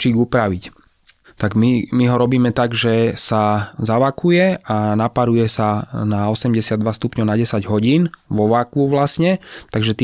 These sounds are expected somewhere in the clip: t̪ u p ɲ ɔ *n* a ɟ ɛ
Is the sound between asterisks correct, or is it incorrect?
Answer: correct